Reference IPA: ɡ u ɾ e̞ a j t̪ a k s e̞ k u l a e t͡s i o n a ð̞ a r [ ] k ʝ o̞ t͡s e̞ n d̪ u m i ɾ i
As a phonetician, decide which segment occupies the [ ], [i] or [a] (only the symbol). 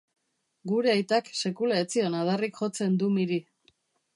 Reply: i